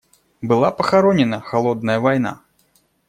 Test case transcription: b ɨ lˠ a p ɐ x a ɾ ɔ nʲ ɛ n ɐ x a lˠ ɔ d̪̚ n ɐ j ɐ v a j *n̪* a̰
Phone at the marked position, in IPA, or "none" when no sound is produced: n̪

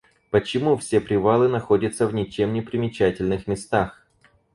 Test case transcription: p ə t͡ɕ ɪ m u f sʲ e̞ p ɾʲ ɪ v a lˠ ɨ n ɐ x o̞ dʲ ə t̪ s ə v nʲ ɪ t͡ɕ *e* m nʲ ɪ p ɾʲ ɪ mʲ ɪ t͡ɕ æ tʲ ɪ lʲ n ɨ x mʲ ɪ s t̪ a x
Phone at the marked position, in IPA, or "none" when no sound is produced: e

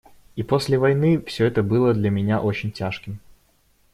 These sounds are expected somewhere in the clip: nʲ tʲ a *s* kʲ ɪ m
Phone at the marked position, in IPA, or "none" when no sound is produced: ʂ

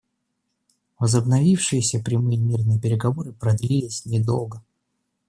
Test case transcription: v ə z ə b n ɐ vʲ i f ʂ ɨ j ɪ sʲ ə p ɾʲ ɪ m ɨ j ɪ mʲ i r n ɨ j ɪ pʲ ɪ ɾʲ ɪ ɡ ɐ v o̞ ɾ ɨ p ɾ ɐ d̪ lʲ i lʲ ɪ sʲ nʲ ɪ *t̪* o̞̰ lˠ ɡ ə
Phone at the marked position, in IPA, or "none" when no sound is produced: d̪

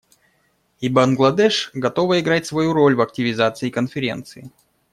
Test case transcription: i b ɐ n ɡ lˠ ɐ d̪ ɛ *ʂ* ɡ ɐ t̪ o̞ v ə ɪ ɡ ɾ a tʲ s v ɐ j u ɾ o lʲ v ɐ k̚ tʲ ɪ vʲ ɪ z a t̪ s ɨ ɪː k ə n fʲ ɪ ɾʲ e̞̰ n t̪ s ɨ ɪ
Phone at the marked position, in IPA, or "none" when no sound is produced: ʂ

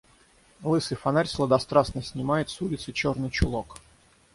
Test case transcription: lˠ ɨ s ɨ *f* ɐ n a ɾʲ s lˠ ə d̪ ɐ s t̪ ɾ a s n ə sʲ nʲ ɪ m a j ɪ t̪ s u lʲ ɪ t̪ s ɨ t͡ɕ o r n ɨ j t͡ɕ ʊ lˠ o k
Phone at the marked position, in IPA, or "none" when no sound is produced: f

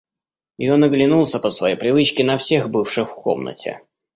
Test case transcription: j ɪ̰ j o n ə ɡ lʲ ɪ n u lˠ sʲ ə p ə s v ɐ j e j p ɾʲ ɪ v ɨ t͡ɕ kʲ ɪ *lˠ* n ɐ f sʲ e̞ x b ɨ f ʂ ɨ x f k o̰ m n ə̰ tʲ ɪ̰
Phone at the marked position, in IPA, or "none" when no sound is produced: none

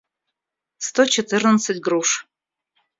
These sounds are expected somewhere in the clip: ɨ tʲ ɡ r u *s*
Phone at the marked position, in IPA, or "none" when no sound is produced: ʂ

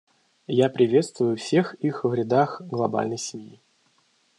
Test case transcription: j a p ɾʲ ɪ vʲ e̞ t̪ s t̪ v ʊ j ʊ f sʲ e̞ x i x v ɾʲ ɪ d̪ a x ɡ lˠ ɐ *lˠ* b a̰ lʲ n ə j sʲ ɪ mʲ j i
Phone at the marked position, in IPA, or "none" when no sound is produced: none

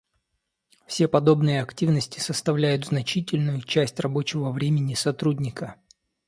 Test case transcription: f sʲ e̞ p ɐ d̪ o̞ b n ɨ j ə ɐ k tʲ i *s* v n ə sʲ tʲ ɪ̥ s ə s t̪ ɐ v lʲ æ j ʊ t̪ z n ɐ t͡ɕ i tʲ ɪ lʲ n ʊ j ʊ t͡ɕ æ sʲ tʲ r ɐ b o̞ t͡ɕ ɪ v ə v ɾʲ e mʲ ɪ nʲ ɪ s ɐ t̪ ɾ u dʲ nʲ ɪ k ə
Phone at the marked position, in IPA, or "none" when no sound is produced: none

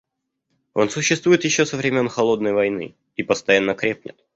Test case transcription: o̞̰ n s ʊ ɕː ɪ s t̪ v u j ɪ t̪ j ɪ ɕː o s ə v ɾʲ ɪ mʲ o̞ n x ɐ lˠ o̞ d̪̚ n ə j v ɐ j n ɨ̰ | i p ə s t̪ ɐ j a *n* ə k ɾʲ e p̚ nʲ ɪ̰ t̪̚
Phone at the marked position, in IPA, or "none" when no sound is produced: nː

